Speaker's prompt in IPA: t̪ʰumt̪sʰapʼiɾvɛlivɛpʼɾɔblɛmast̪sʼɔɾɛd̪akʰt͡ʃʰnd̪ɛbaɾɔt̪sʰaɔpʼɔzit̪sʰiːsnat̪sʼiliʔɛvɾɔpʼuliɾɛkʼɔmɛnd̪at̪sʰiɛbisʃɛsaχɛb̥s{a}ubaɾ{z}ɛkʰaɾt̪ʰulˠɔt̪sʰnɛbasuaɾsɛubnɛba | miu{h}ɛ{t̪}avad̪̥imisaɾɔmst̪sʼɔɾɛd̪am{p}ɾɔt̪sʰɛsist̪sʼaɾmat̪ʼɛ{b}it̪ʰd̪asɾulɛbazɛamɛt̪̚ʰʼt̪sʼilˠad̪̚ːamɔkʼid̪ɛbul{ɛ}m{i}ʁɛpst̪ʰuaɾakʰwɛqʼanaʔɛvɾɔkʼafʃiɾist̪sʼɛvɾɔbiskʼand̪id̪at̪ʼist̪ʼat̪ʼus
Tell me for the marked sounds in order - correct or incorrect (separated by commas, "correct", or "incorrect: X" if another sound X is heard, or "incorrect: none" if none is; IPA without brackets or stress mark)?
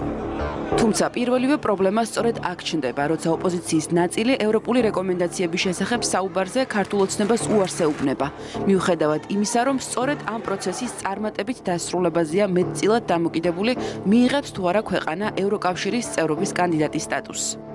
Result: correct, correct, incorrect: χ, incorrect: d̪, incorrect: pʼ, correct, incorrect: i, incorrect: iː